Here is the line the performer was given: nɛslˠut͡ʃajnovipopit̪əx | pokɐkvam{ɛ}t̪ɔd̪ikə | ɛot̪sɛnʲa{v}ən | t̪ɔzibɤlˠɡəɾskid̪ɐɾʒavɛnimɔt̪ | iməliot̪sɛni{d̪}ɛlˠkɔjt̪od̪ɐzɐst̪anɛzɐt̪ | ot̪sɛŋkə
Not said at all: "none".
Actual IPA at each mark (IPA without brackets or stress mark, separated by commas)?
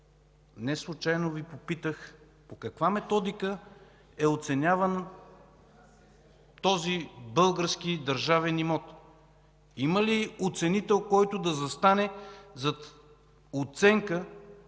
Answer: ɛ, v, t̪